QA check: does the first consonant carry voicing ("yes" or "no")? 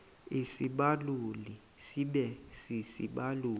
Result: no